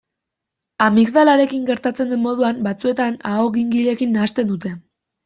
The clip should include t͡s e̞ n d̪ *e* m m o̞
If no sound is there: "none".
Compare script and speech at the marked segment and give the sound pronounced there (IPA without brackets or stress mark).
e